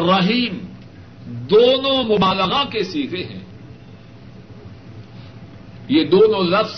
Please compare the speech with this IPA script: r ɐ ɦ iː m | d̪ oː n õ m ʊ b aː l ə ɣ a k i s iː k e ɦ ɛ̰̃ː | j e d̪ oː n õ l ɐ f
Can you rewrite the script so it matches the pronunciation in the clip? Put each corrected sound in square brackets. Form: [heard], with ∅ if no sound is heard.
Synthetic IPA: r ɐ ɦ iː m | d̪ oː n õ m ʊ b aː l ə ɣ a k [e] s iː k e ɦ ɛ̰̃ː | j e d̪ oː n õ l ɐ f